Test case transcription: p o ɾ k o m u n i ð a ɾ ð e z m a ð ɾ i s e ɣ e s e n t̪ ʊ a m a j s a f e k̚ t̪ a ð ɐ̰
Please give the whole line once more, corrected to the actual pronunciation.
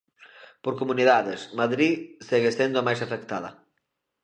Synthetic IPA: p o ɾ k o m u n i ð a ð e s m a ð ɾ i s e ɣ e s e n d̪ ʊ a m a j s a f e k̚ t̪ a ð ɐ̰